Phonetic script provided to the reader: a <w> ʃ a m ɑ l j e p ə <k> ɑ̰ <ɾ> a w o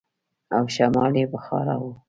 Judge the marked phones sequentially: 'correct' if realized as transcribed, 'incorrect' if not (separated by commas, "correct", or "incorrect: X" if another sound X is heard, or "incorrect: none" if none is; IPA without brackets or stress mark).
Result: correct, incorrect: x, correct